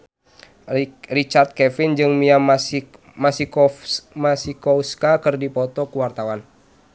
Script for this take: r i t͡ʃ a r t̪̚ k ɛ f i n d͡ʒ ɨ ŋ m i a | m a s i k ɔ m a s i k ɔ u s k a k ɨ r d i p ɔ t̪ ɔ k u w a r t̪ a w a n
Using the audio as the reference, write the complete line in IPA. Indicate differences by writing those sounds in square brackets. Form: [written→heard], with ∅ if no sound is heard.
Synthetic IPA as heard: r i t͡ʃ a r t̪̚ k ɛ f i n d͡ʒ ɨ ŋ m i a | m a s i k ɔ m a s i k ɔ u s k a k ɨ r d i p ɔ t̪ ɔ k u w a r t̪ a w a n